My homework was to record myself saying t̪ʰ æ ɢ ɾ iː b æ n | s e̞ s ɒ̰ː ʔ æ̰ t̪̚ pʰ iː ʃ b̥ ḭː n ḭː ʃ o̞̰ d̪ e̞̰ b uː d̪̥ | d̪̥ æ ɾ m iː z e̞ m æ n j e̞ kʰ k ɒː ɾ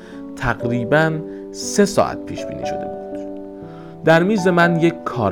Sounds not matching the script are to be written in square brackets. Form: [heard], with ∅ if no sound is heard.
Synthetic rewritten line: t̪ʰ æ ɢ ɾ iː b æ n | s e̞ s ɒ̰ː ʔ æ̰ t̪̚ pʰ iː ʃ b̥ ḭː n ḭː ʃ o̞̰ d̪ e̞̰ b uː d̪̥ | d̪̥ æ ɾ m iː z e̞ m æ n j e̞ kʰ [kʰ] ɒː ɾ